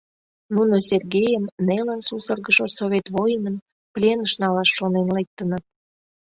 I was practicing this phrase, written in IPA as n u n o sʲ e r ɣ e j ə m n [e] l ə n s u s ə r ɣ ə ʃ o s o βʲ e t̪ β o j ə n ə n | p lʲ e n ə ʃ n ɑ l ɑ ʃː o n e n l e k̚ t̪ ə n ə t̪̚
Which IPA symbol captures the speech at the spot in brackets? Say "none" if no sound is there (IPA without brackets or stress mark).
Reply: e